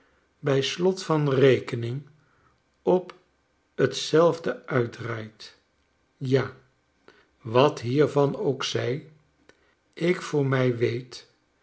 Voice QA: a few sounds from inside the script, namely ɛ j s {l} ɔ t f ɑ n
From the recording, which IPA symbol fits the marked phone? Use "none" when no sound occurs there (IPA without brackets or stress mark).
l